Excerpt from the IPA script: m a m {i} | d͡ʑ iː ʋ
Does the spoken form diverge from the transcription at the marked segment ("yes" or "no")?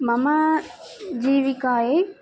yes